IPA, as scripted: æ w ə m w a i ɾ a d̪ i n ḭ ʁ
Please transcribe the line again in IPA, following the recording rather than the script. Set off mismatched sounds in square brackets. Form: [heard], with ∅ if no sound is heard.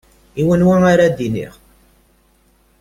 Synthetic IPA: [i] w ə [n] w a [a] ɾ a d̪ i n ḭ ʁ

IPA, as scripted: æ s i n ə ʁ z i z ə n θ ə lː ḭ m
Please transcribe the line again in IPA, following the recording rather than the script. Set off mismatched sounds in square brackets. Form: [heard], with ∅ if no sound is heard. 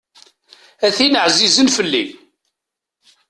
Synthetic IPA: æ [θ] i n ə [ʕ] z i z ə n [f] ə lː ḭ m

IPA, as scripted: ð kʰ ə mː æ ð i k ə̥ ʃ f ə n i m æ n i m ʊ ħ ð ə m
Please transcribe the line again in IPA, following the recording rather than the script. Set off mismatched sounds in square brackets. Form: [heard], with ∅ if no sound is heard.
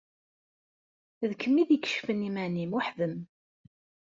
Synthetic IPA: ð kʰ ə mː [i] ð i k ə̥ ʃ f ə n i m æ n i m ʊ ħ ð ə m

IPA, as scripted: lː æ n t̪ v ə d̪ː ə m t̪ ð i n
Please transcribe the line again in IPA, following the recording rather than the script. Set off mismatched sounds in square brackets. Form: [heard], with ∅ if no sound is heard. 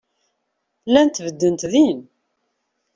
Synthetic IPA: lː æ n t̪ v ə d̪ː ə [n] t̪ ð i n

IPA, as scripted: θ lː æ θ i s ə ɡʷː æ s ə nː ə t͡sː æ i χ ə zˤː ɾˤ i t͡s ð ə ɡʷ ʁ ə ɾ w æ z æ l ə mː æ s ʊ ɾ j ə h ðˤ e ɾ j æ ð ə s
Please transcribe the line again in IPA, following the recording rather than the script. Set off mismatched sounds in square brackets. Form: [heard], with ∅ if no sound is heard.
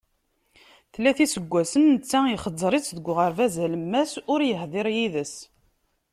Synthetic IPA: θ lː æ θ i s ə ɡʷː æ s ə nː ə t͡sː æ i χ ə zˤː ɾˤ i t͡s ð ə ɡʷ ʁ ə ɾ [v] æ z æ l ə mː æ s ʊ ɾ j ə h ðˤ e ɾ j [i] ð ə s

